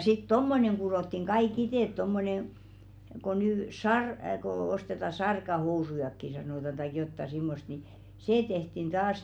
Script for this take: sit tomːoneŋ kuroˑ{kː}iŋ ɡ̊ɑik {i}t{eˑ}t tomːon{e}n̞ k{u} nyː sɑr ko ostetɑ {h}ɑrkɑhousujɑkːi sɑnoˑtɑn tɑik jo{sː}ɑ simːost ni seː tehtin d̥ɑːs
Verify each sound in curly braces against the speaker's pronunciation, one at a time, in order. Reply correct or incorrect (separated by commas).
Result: incorrect, correct, correct, correct, incorrect, incorrect, incorrect